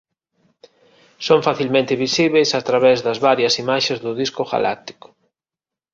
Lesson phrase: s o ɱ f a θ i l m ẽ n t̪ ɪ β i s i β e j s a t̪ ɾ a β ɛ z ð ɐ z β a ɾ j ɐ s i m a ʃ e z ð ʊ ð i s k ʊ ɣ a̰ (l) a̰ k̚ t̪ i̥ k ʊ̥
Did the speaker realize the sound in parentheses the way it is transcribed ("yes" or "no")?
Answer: yes